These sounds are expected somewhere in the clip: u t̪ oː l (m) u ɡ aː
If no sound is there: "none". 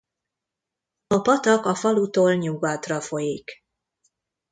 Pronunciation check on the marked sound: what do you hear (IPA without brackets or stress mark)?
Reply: ɲ